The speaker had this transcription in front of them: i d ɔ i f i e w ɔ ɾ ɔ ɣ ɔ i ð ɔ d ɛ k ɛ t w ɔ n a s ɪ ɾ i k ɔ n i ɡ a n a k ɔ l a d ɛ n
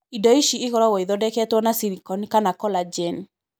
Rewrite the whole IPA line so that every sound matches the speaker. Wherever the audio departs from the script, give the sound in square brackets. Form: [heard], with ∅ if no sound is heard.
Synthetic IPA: i d ɔ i [ʃ] i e [ɣ] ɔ ɾ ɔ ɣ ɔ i ð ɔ d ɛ k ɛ t w ɔ n a s [i] ɾ i k ɔ n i [k] a n a k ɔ l a [d͡ʒ] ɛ n